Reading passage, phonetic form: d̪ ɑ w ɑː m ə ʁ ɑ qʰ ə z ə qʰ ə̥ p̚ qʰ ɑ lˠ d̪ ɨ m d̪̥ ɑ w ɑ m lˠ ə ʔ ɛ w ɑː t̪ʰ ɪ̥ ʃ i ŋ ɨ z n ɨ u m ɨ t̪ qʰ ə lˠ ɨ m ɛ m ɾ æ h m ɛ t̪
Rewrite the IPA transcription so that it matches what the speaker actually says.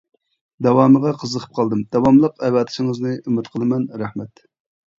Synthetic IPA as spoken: d̪ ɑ w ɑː m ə ʁ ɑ qʰ ə z ə qʰ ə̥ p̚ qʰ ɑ lˠ d̪ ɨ m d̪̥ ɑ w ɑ m lˠ ə q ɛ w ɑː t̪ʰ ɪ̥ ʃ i ŋ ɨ z n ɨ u m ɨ t̪ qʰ ə lˠ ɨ m ɛ n ɾ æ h m ɛ t̪